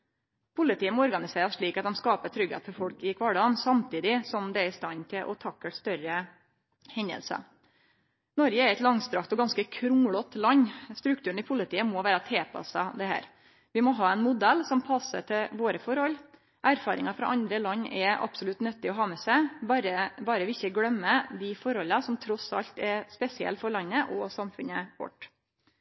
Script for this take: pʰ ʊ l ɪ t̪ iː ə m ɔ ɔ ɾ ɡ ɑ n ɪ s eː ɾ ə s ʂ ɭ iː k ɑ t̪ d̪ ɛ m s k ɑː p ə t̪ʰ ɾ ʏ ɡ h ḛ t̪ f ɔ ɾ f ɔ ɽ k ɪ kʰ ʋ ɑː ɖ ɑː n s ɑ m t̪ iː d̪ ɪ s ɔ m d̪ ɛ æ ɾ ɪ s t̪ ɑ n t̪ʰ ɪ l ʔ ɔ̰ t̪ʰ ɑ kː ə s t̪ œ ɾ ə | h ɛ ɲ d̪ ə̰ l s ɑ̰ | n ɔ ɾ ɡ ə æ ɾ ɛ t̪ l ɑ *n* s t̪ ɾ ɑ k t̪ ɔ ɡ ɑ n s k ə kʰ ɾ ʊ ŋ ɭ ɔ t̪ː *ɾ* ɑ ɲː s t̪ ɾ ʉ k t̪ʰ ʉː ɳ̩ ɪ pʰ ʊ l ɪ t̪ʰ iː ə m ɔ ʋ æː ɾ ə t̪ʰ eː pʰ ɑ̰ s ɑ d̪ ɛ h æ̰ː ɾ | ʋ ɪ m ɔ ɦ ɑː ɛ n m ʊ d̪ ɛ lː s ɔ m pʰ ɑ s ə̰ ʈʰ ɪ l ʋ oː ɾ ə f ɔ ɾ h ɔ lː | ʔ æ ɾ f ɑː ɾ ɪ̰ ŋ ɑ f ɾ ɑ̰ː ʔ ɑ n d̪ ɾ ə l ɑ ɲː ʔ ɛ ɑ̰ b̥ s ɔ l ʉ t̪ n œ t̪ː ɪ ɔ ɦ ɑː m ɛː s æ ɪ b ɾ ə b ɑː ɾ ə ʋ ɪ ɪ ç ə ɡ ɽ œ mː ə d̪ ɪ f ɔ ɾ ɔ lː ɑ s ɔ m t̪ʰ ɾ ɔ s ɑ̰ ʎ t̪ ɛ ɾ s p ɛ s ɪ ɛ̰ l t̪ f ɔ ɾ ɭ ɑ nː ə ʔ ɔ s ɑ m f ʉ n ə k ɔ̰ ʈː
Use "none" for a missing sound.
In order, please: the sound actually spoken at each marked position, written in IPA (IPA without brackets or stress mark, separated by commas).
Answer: ŋ, l